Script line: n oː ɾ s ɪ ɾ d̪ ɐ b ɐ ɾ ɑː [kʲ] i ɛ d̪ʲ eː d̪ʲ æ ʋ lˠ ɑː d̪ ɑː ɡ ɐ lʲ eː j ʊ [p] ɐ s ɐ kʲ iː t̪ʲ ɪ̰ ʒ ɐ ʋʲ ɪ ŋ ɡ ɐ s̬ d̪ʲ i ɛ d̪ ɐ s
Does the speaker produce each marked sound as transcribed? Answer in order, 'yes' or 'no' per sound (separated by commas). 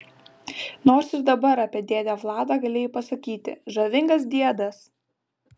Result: no, yes